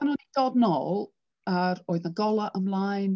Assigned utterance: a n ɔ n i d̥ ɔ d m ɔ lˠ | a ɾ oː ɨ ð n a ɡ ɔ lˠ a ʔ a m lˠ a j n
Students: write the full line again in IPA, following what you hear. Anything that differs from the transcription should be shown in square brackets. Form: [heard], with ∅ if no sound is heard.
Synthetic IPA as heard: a n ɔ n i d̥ ɔ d [n] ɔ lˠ | a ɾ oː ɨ ð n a ɡ ɔ lˠ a ʔ [ə] m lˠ a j n